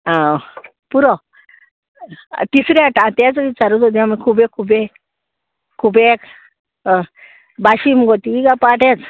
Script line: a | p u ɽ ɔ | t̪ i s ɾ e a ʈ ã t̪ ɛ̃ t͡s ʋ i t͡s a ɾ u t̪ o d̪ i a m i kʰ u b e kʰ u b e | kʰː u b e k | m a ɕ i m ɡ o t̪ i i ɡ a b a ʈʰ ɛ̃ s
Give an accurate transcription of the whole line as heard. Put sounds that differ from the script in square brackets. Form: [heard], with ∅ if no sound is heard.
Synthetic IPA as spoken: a | p u [ɾ] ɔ | t̪ i s ɾ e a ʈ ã t̪ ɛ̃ t͡s ʋ i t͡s a ɾ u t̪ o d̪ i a m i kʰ u b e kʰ u b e | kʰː u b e k | [b] a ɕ i m ɡ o t̪ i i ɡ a [p] a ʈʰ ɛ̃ [t͡s]